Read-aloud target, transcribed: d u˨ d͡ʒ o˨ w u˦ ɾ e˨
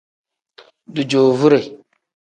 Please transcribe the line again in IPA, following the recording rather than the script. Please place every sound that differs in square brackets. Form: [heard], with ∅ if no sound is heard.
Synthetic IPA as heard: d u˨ d͡ʒ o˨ [v] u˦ ɾ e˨